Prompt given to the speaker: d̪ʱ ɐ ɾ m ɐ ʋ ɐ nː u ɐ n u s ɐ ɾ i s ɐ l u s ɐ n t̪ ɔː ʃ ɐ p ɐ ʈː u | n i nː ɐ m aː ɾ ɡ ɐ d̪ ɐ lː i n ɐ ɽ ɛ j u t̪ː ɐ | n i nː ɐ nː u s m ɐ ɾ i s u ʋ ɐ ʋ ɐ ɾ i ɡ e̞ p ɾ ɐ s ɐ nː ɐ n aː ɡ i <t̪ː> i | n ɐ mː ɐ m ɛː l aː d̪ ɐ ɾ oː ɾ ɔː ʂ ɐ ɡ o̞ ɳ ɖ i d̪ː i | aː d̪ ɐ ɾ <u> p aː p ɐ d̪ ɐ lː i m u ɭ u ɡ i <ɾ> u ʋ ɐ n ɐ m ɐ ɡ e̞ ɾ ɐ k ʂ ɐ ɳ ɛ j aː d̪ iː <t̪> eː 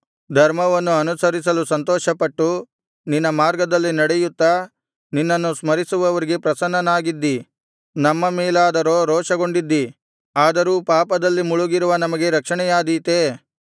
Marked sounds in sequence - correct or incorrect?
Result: incorrect: d̪ː, incorrect: uː, correct, correct

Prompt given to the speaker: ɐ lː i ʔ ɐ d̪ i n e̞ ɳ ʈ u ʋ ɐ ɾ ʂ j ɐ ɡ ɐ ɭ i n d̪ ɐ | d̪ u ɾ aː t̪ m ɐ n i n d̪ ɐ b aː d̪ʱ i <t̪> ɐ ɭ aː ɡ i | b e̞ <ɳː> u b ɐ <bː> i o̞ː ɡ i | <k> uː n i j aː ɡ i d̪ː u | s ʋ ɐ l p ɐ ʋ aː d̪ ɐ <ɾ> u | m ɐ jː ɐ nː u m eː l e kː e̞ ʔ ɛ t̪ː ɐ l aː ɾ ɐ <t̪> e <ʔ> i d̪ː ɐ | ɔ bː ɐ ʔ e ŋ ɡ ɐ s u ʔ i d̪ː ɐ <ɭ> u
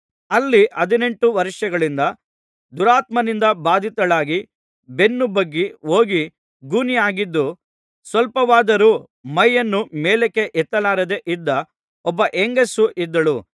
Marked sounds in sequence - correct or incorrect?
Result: correct, incorrect: nː, incorrect: ɡː, incorrect: ɡ, correct, incorrect: d̪, correct, correct

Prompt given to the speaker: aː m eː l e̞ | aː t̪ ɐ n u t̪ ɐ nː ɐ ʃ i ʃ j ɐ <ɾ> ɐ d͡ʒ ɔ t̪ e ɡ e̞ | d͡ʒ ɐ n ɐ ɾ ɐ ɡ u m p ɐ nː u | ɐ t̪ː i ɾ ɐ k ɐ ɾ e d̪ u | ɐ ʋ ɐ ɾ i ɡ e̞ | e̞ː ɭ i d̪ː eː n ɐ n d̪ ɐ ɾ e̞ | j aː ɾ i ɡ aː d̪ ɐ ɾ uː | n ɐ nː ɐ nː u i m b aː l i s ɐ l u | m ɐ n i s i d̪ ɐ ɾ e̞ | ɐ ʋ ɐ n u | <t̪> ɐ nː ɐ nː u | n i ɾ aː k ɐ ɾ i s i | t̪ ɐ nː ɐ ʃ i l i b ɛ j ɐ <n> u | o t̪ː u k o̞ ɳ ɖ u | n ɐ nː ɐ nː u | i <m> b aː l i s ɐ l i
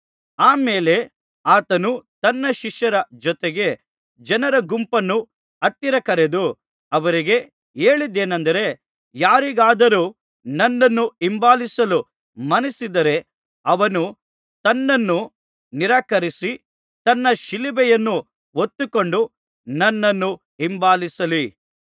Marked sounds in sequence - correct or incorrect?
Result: correct, correct, incorrect: nː, correct

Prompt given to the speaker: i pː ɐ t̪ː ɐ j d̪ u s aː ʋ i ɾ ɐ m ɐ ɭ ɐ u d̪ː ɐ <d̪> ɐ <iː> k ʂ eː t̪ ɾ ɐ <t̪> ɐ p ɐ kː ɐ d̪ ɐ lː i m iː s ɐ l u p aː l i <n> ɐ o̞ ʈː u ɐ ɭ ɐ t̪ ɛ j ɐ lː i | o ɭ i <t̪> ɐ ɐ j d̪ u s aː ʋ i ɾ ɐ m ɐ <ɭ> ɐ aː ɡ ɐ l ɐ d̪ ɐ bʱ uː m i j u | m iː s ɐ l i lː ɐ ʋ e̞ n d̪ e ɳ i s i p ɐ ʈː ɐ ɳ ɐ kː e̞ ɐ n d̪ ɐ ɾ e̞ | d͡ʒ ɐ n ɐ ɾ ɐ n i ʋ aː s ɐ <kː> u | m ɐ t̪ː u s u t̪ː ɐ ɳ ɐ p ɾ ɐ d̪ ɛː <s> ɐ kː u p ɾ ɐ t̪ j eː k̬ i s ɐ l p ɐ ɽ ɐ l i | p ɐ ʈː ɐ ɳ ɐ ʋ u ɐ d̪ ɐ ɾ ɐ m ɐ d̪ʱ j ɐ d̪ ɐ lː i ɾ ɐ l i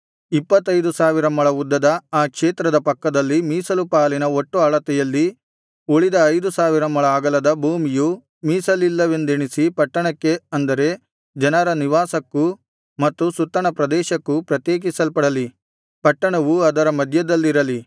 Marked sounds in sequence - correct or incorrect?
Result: correct, incorrect: aː, incorrect: d̪, correct, incorrect: d̪, correct, correct, incorrect: ʃ

